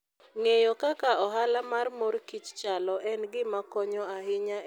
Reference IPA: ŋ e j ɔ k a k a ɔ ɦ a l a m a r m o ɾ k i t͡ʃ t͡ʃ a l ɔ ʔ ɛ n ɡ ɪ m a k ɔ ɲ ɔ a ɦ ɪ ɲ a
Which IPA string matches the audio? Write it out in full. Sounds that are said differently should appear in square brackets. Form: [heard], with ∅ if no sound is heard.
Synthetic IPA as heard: ŋ e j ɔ k a k a ɔ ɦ a l a m a r m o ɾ k i t͡ʃ t͡ʃ a l ɔ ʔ ɛ n ɡ ɪ m a k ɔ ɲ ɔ a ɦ ɪ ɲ a